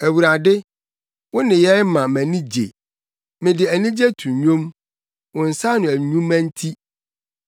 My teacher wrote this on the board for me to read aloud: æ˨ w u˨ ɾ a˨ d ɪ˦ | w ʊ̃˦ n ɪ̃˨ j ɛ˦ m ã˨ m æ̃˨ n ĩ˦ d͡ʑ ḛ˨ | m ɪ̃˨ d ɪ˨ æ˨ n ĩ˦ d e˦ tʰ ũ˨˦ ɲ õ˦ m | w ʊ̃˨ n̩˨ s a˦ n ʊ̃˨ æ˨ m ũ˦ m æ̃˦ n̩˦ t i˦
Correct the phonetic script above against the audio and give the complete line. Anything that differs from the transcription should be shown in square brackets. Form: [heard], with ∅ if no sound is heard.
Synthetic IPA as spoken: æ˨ w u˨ ɾ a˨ d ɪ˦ | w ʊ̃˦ n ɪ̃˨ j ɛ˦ m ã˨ m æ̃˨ n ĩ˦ d͡ʑ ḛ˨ | m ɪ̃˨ d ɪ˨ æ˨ n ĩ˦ [d͡ʑ] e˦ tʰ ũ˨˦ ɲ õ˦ m | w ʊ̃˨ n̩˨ s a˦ n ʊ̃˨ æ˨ [ɲ] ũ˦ m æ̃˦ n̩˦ [tʰ] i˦